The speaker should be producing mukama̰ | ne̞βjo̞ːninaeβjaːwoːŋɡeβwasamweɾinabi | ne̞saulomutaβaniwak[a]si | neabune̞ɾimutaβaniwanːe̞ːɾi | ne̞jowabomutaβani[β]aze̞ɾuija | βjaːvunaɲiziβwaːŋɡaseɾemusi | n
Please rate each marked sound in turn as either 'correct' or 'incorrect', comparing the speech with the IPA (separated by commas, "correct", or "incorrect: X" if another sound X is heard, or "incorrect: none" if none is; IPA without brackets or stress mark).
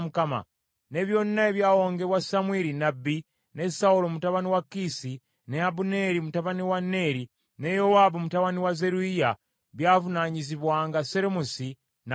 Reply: incorrect: i, incorrect: w